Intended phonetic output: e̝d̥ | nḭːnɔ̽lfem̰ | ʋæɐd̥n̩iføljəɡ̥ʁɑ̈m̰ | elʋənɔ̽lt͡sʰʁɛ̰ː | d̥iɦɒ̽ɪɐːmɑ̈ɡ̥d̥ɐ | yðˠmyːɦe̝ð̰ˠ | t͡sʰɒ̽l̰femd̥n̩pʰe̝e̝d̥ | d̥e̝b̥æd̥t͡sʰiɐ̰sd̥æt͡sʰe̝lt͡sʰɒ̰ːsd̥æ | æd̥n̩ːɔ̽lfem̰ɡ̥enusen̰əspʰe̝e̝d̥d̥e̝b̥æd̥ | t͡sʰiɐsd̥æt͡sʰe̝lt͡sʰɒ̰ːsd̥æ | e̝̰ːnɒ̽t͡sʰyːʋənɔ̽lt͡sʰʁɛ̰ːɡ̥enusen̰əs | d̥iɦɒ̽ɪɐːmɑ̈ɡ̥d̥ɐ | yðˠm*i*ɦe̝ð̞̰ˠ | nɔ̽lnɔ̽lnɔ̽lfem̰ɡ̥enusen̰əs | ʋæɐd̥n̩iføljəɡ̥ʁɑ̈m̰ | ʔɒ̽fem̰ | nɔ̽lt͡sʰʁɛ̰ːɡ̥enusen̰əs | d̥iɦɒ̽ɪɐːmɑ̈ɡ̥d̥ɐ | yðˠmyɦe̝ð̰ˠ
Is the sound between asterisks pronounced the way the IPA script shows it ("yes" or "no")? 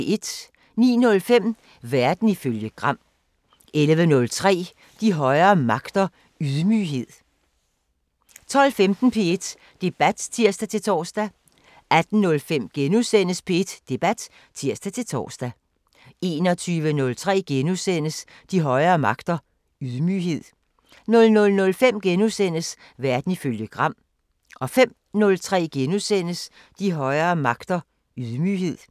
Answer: no